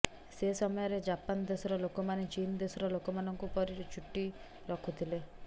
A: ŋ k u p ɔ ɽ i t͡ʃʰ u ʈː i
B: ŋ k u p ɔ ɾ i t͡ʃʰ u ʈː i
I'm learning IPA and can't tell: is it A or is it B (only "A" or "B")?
B